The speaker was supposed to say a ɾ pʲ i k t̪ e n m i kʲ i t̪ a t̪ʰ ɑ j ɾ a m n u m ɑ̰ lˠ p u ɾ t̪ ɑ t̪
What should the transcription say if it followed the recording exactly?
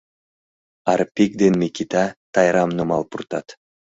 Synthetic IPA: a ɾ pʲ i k d̪ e n m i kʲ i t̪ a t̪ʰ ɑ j ɾ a m n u m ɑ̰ lˠ p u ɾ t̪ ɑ t̪